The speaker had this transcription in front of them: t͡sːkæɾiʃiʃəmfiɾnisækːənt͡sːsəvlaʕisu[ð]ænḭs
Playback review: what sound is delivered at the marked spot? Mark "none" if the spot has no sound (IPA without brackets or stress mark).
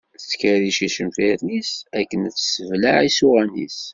ʁ